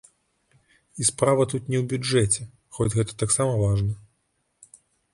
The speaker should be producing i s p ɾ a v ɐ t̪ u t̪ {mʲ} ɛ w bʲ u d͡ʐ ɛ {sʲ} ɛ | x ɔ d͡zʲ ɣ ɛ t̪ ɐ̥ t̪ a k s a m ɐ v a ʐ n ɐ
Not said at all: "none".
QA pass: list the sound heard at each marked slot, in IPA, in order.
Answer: nʲ, t͡sʲ

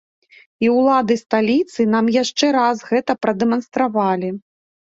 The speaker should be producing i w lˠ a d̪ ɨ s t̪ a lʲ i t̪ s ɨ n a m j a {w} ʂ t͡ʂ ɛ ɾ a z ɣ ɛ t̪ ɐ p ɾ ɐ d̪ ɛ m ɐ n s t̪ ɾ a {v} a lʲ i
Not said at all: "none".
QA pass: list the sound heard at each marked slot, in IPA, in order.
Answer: none, v

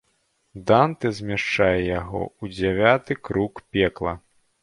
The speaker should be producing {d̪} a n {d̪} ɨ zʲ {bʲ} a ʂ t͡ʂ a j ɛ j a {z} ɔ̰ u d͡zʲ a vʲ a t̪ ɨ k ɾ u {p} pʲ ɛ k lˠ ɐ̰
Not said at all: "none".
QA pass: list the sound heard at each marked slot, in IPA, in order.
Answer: d̪, t̪, mʲ, ɣ, k

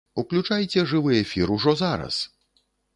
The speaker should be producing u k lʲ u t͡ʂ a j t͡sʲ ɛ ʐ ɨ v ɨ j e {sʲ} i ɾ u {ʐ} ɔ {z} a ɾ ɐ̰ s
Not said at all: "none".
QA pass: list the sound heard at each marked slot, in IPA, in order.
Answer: fʲ, ʐ, z

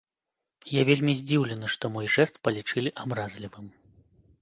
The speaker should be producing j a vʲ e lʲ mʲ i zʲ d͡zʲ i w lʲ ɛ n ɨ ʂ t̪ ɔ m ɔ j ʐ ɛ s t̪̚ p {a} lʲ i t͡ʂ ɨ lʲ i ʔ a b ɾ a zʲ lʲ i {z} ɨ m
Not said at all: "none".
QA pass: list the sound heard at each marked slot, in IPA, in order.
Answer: ɐ, v

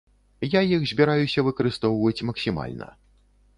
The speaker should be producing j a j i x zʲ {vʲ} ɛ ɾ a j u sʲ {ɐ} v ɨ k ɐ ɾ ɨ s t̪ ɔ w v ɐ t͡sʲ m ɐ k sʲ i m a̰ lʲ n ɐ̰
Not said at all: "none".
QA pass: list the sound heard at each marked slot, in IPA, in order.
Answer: bʲ, ɐ

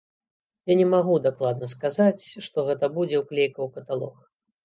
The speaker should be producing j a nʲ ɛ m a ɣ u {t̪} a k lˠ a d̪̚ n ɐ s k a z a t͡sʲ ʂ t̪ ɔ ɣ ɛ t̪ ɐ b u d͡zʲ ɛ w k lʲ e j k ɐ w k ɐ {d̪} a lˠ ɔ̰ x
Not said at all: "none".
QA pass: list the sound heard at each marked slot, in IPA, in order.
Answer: d̪, t̪

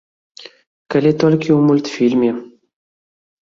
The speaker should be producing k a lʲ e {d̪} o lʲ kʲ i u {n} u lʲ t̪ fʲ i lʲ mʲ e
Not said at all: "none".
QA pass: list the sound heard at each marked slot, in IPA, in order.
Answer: t̪, m

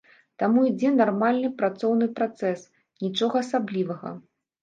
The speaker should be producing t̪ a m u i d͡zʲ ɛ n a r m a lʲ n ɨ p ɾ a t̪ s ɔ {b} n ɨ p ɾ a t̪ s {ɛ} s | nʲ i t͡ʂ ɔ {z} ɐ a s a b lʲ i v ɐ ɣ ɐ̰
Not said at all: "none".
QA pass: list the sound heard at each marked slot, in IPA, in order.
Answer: w, ɛ, ɣ

